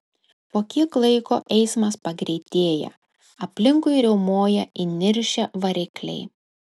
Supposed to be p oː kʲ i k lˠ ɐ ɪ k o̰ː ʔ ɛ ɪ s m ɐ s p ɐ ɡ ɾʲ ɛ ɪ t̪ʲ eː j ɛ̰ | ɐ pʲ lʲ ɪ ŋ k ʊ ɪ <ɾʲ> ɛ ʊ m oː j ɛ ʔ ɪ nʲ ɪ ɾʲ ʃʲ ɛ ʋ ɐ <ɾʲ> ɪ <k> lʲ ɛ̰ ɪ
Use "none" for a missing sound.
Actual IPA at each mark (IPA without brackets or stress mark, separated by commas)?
ɾʲ, ɾʲ, k